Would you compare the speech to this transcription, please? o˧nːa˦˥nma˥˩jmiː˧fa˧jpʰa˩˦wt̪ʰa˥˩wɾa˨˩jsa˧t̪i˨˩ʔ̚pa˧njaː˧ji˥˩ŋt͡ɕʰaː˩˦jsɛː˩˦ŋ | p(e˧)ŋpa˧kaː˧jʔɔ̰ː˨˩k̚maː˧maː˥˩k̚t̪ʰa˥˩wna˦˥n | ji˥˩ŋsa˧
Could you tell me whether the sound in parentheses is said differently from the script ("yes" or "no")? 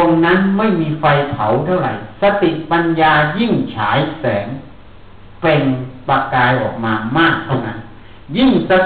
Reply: no